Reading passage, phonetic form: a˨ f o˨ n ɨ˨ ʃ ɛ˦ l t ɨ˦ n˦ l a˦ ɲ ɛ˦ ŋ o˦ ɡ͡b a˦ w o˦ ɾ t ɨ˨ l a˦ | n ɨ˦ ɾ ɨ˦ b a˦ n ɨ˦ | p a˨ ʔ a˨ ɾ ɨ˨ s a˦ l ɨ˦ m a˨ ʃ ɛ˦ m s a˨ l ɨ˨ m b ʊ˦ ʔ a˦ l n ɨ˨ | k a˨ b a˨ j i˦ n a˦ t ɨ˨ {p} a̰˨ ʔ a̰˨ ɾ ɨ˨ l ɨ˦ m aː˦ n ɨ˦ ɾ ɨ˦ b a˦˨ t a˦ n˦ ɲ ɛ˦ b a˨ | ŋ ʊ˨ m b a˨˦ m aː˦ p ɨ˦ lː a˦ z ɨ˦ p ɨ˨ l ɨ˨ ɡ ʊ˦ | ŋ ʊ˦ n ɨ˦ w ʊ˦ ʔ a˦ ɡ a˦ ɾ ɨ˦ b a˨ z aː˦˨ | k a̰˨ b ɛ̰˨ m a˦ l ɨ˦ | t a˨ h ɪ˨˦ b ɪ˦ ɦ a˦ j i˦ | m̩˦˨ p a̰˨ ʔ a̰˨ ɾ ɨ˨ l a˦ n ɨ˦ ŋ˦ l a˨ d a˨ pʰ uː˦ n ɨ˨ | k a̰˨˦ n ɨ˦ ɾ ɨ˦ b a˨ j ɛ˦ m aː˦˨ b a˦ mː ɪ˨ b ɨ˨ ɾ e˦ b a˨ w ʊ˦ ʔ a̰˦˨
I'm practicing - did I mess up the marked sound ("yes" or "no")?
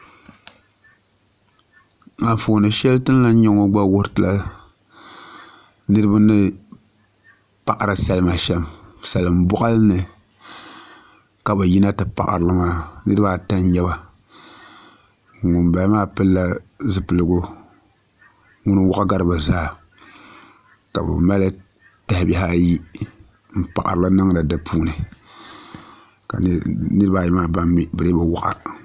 no